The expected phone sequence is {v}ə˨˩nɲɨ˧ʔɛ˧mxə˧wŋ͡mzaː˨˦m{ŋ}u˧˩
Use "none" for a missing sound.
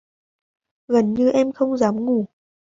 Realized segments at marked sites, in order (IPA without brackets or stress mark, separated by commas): ɣ, ŋ